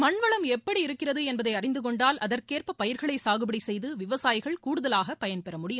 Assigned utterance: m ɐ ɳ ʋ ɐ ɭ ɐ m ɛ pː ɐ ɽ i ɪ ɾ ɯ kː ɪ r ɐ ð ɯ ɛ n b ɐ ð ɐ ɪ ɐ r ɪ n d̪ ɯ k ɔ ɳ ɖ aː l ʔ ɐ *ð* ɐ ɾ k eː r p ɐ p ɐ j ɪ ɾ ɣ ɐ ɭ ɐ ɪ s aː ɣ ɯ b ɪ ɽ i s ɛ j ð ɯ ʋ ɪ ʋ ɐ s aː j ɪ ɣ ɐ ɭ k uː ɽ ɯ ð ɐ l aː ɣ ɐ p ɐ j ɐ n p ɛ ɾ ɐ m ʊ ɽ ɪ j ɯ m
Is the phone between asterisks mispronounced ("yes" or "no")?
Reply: no